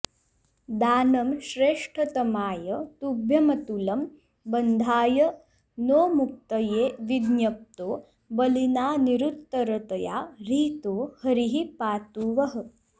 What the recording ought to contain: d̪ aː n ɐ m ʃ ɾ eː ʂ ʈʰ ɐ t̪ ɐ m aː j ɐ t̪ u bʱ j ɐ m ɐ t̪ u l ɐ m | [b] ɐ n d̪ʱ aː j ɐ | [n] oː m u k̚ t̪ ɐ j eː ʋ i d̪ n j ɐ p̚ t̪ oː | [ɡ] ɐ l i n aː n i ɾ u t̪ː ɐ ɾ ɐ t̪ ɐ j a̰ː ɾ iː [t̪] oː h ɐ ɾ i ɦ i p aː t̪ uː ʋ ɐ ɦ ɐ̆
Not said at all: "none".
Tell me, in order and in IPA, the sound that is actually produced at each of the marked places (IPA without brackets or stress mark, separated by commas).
b, n, b, t̪